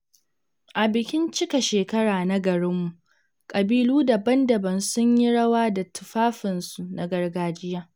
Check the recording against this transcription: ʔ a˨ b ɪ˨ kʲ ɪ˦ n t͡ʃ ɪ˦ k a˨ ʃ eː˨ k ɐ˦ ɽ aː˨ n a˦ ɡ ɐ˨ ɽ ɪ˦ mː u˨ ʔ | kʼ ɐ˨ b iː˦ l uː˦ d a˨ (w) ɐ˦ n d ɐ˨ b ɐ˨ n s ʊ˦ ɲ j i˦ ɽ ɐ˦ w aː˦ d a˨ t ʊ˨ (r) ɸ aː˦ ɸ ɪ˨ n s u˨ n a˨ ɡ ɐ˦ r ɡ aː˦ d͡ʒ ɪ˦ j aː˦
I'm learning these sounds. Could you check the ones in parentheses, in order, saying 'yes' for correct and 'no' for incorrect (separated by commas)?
no, no